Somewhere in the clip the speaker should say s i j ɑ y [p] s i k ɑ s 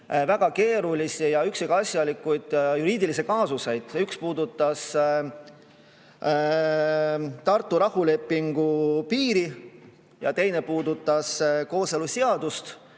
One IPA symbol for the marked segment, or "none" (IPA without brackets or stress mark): k